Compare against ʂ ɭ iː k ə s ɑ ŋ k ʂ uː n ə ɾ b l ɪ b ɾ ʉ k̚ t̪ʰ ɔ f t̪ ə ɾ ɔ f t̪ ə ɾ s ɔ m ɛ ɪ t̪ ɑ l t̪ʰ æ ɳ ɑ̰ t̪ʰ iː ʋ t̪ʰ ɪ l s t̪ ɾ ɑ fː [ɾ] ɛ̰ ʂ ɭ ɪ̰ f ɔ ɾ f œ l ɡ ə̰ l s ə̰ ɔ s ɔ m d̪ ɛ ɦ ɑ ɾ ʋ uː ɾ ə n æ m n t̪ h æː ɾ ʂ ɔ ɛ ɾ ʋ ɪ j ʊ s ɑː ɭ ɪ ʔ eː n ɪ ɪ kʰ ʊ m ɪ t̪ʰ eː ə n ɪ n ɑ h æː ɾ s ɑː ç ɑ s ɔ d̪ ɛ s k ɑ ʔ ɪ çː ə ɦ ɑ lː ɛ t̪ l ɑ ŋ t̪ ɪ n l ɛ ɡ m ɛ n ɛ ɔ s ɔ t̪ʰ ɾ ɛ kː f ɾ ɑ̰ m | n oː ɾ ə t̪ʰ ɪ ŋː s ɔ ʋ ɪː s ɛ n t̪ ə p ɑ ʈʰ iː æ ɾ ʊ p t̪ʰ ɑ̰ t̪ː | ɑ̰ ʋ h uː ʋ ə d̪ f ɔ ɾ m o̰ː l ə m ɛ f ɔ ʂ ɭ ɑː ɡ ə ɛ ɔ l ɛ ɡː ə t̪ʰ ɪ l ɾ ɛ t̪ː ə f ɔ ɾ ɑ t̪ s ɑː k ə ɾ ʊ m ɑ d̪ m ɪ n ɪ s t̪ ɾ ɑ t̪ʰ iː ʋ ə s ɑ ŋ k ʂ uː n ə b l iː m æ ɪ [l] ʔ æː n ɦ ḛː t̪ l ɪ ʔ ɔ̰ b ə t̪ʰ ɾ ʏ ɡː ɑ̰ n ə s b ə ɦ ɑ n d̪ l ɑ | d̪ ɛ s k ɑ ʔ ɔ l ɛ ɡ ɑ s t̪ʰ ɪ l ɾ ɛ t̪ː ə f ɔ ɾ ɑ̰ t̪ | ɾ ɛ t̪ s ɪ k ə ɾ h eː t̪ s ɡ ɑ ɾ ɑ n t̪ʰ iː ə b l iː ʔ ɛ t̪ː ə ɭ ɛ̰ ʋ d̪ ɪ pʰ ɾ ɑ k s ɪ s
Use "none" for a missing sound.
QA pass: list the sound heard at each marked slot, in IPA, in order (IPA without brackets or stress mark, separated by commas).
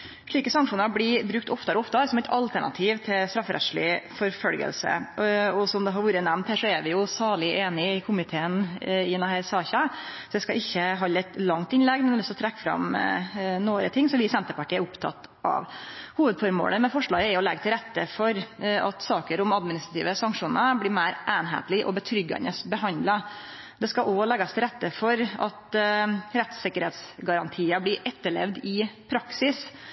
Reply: ɾ, ɾ